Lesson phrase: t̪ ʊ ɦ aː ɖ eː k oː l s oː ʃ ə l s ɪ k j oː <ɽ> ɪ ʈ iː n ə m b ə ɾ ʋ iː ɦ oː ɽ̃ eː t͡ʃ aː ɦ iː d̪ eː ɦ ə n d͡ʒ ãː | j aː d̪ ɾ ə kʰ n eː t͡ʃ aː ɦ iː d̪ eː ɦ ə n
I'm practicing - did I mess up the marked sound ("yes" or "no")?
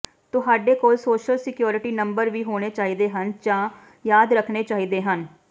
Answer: yes